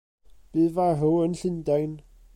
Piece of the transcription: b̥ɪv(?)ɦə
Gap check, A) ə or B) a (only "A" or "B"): B